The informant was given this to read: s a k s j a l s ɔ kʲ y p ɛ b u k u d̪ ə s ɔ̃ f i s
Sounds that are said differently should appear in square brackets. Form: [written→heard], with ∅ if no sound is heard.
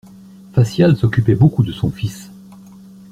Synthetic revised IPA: [s→f] a [k→∅] s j a l s ɔ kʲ y p ɛ b [u→o] k u d̪ ə s ɔ̃ f i s

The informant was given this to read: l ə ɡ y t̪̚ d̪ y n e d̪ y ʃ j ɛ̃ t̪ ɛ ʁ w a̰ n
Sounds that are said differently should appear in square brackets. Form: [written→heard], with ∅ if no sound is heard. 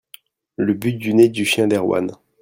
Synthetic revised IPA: l ə [ɡ→b] y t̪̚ d̪ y n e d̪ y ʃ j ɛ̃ [t̪→d̪] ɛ ʁ w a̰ n

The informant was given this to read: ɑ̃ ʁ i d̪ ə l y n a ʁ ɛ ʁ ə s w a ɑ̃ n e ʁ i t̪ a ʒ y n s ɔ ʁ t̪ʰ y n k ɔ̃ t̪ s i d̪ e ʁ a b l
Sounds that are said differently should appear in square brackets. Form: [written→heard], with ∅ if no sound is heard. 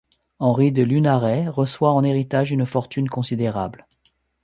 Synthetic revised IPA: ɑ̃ ʁ i d̪ ə l y n a ʁ ɛ ʁ ə s w a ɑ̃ n e ʁ i t̪ a ʒ y n [s→f] ɔ ʁ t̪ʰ y n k ɔ̃ [t̪→∅] s i d̪ e ʁ a b l

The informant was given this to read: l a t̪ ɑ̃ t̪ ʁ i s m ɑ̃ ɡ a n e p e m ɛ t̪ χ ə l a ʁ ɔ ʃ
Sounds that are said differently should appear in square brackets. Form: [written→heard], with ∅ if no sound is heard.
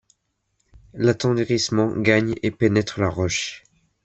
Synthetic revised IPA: l a t̪ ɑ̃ [t̪→d̪] ʁ i s m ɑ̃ ɡ a [n→ɲ] e p e [m→n] ɛ t̪ χ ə l a ʁ ɔ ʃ

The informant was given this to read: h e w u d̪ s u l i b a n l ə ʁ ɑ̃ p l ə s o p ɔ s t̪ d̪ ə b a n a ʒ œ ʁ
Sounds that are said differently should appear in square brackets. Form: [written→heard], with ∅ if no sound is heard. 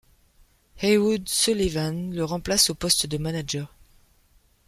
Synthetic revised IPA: h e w u d̪ s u l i [b→v] a n l ə ʁ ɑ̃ p l [ə→a] s o p ɔ s t̪ d̪ ə [b→m] a n a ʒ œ ʁ

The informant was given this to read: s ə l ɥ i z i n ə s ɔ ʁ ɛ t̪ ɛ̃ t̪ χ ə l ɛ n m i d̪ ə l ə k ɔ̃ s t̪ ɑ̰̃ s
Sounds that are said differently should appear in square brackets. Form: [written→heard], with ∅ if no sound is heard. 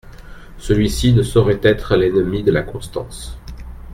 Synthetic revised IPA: s ə l ɥ i [z→s] i n ə s ɔ ʁ ɛ t̪ [ɛ̃→ɛ] t̪ χ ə l ɛ n m i d̪ ə l [ə→a] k ɔ̃ s t̪ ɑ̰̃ s

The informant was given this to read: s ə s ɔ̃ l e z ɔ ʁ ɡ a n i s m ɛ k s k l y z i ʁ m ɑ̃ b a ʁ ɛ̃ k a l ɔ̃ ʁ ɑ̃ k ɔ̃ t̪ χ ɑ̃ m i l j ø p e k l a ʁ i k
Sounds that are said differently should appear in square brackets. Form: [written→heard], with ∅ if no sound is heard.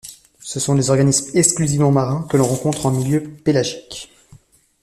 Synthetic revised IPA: s ə s ɔ̃ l e z ɔ ʁ ɡ a n i s m ɛ k s k l y z i [ʁ→v] m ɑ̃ [b→m] a ʁ ɛ̃ k [a→ə] l ɔ̃ ʁ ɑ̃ k ɔ̃ t̪ χ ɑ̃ m i l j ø p e [k→∅] l a [ʁ→ʒ] i k

